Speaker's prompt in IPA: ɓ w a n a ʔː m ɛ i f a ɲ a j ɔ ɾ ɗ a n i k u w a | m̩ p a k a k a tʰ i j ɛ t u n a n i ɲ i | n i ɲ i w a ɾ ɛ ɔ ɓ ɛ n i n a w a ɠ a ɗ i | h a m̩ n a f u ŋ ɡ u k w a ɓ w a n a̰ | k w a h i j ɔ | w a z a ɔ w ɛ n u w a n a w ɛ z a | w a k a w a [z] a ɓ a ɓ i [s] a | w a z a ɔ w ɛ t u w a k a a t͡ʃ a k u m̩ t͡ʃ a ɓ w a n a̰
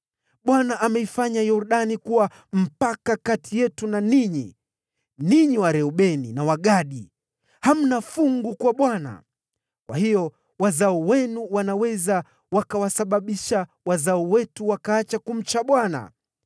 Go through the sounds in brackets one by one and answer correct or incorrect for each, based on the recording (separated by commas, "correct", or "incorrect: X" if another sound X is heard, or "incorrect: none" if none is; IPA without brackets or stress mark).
incorrect: s, incorrect: ʃ